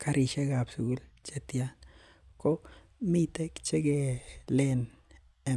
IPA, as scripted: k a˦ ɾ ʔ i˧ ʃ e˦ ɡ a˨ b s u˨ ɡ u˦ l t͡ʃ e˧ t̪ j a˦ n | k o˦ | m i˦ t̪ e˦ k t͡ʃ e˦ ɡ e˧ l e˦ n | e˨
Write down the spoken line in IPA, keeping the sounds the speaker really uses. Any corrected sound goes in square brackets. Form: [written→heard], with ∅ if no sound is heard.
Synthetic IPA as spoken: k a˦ ɾ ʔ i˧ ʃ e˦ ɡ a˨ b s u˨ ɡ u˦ l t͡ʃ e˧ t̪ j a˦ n | k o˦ | m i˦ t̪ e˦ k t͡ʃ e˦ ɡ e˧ l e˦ n | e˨